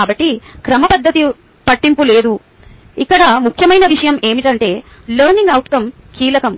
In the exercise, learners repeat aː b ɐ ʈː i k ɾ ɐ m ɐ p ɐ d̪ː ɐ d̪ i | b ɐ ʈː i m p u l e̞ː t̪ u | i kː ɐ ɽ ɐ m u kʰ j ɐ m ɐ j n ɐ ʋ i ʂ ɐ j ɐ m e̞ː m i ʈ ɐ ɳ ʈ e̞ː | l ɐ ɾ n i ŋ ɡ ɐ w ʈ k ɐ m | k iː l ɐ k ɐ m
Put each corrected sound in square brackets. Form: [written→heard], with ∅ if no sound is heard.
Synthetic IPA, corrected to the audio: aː b ɐ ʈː i k ɾ ɐ m ɐ p ɐ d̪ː ɐ [d̪→t̪] i | [b→p] ɐ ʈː i m p u l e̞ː [t̪→d̪] u | i kː ɐ ɽ ɐ m u kʰ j ɐ m ɐ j n ɐ ʋ i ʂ ɐ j ɐ m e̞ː m i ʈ ɐ ɳ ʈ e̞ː | l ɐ ɾ n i ŋ ɡ ɐ w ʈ k ɐ m | k iː l ɐ k ɐ m